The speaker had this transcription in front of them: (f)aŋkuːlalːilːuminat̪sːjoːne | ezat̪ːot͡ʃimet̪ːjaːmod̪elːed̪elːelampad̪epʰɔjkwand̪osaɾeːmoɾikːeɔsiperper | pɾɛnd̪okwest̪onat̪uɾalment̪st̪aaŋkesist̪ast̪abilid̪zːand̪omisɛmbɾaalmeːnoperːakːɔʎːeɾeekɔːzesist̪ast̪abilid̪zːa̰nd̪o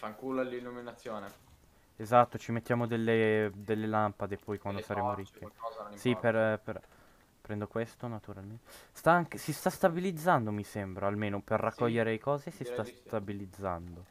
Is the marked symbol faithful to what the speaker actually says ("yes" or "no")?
yes